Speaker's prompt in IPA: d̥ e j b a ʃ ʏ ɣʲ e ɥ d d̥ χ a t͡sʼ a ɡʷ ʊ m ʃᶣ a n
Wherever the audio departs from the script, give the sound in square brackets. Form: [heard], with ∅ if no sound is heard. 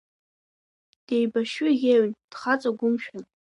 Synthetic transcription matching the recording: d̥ e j b a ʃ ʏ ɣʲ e ɥ [n] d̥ χ a t͡sʼ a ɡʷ ʊ m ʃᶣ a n